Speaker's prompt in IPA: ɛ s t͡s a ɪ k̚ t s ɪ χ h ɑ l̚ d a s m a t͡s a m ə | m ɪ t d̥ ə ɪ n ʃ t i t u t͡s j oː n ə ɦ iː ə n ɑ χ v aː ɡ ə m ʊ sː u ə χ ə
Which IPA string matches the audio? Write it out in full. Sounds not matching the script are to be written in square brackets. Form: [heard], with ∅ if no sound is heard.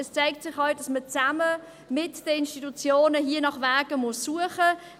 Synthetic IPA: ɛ s t͡s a ɪ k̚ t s ɪ χ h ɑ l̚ d [ɑ] s m [ə] t͡s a m ə | m ɪ t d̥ ə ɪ n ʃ t i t u t͡s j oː n ə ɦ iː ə n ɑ χ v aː ɡ ə m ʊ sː u ə χ ə